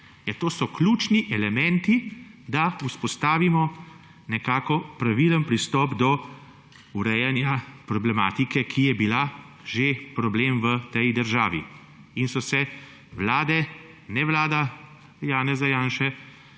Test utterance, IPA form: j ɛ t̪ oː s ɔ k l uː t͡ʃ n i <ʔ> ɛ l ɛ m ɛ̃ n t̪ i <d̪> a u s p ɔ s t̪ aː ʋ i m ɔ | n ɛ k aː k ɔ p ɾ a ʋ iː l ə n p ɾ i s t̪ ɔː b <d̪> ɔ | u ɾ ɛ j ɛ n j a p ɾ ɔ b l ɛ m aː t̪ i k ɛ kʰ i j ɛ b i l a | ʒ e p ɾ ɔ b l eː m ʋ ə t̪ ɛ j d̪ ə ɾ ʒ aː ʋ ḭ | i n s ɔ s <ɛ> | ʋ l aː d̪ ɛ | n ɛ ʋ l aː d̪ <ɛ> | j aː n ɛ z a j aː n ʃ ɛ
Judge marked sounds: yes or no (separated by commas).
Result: yes, yes, yes, yes, no